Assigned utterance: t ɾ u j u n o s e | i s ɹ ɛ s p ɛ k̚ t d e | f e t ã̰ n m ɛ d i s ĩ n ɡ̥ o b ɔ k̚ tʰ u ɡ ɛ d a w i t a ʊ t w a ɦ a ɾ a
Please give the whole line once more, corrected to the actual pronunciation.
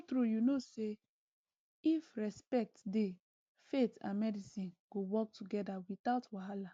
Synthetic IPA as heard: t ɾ u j u n o s e | i f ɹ ɛ s p ɛ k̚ t d e | f e t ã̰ n m ɛ d i s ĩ n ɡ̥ o w ɔ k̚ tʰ u ɡ ɛ d a w i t a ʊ t w a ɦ a l a

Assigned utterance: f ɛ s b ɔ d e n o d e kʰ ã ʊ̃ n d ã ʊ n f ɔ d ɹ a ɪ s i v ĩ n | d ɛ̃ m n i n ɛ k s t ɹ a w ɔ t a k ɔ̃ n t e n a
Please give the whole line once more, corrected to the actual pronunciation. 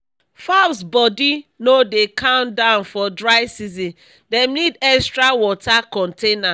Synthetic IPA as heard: f a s b ɔ d i n o d e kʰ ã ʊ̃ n d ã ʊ n f ɔ d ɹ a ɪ s i z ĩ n | d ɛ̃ m n i d ɛ k s t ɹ a w ɔ t a k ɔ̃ n t e n a

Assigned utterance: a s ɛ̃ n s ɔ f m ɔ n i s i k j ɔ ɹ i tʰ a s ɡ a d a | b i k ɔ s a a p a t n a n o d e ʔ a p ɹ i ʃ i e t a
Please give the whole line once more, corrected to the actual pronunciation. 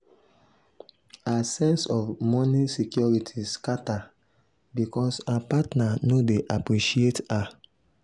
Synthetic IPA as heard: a s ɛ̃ n s ɔ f m ɔ n i s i k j ɔ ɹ i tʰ i s k a t a | b i k ɔ s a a p a t n a n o d e ʔ a p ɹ i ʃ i e t a

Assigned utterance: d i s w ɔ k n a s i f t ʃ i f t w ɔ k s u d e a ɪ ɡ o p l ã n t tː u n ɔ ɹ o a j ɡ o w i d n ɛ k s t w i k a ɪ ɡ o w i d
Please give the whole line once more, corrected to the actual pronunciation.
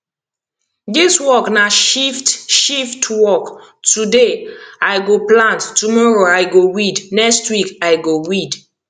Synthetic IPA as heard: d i s w ɔ k n a ʃ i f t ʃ i f t w ɔ k t u d e a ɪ ɡ o p l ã n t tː u m ɔ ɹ o a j ɡ o w i d n ɛ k s t w i k a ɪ ɡ o w i d

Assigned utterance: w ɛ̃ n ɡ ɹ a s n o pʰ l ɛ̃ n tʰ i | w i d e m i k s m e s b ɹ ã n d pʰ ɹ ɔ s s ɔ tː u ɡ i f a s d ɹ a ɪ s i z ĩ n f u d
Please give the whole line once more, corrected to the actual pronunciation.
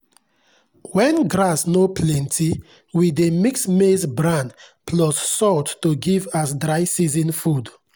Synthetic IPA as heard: w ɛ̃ n ɡ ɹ a s n o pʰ l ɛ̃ n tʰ i | w i d e m i k s m e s b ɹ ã n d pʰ l ɔ s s ɔ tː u ɡ i v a s d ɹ a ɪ s i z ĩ n f u d

